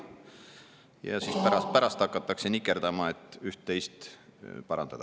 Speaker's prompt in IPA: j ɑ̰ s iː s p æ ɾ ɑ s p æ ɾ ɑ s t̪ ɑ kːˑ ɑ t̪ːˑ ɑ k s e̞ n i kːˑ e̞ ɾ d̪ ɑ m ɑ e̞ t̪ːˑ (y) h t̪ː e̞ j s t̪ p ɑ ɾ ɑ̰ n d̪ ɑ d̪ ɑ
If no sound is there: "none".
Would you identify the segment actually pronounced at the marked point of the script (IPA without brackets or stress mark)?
y